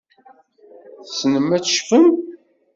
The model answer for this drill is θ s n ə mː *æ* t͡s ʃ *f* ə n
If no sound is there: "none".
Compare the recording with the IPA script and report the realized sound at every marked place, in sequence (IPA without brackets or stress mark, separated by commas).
æ, f